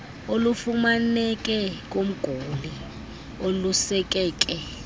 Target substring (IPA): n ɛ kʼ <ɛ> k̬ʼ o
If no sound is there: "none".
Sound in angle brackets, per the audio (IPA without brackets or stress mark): ɛ